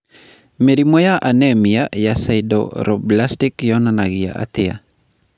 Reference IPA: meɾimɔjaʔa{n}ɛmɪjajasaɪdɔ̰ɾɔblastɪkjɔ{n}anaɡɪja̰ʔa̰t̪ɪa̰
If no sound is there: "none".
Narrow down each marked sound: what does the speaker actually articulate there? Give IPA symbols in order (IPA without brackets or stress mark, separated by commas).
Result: n, n